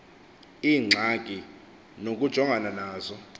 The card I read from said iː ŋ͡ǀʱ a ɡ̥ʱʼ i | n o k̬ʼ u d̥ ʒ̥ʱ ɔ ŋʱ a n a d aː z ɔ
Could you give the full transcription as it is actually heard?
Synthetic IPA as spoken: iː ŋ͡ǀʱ a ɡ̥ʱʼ i | n o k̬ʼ u d̥ ʒ̥ʱ ɔ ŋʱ a n a n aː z ɔ